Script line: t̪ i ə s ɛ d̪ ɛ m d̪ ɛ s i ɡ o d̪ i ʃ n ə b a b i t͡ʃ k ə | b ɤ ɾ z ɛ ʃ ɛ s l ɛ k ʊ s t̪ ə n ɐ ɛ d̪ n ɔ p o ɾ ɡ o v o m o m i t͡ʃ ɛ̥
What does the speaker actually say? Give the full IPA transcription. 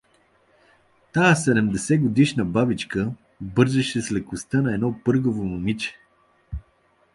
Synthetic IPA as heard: t̪ a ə s ɛ d̪ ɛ m d̪ ɛ s ɛ ɡ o d̪ i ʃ n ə b a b i t͡ʃ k ə | b ɤ ɾ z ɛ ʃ ɛ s l ɛ k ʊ s t̪ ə n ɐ ɛ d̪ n ɔ p ɤ ɾ ɡ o v o m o m i t͡ʃ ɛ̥